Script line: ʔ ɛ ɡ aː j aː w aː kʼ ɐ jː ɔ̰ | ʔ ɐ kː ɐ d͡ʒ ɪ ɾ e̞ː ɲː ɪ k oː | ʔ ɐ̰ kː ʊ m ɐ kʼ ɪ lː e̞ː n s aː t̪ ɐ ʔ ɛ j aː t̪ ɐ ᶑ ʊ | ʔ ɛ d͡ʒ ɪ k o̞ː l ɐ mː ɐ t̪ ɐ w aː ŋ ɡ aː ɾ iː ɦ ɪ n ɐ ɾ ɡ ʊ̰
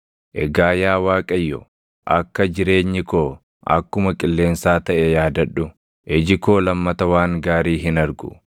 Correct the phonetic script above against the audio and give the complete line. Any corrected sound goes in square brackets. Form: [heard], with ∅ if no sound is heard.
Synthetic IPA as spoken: ʔ ɛ ɡ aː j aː w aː kʼ ɐ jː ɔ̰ | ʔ ɐ kː ɐ d͡ʒ ɪ ɾ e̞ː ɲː ɪ k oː | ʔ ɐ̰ kː ʊ m ɐ kʼ ɪ lː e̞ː n s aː t̪ ɐ ʔ ɛ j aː [d̪] ɐ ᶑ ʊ | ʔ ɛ d͡ʒ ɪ k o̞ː l ɐ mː ɐ t̪ ɐ w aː ŋ ɡ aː ɾ iː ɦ ɪ n ɐ ɾ ɡ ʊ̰